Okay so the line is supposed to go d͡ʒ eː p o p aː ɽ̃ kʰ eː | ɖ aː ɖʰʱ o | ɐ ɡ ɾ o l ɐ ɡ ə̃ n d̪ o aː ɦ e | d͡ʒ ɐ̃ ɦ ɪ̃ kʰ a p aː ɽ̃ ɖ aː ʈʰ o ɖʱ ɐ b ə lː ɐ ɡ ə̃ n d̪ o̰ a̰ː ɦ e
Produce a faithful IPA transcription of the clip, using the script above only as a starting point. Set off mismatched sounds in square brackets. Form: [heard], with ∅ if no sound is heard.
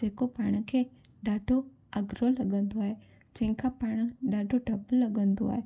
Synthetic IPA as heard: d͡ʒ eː [k] o p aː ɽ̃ kʰ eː | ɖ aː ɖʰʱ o | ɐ ɡ ɾ o l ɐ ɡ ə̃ n d̪ o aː ɦ e | d͡ʒ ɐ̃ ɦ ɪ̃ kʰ a p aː ɽ̃ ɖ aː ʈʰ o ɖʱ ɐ b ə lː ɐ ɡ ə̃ n d̪ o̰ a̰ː ɦ e

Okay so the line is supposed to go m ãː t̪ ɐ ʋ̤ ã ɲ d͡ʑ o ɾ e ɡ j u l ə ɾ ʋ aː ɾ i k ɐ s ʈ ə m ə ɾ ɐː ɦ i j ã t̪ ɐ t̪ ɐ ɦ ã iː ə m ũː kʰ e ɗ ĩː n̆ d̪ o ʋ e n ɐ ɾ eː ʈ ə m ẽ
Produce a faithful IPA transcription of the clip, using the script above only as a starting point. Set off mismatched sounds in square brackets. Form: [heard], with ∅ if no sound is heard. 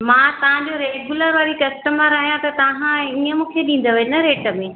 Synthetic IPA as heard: m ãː t̪ ɐ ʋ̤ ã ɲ d͡ʑ o ɾ e ɡ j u l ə ɾ ʋ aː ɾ i k ɐ s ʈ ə m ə ɾ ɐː ɦ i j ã t̪ ɐ t̪ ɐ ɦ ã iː ə m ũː kʰ e ɗ ĩː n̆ d̪ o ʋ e n ɐ ɾ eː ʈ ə m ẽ

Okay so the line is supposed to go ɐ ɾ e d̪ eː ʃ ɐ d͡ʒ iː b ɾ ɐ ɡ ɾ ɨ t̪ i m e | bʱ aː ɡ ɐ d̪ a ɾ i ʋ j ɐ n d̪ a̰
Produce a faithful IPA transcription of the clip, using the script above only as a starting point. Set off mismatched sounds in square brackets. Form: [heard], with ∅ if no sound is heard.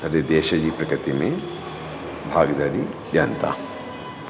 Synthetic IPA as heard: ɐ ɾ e d̪ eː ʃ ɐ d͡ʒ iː [p] ɾ ɐ [k] ɾ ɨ t̪ i m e | bʱ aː ɡ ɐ d̪ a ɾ i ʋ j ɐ n [t̪] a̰

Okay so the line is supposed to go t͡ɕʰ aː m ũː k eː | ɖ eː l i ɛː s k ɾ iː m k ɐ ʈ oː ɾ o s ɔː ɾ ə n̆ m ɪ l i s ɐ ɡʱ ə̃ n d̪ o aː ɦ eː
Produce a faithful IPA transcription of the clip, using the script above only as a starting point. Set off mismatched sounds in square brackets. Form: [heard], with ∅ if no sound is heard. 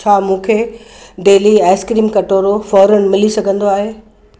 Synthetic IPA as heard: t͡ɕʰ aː m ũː [kʰ] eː | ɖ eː l i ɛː s k ɾ iː m k ɐ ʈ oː ɾ o [f] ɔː ɾ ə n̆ m ɪ l i s ɐ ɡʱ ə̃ n d̪ o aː ɦ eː

